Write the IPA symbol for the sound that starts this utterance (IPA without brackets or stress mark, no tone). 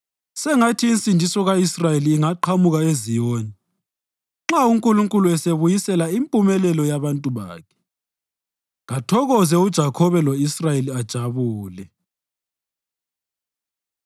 s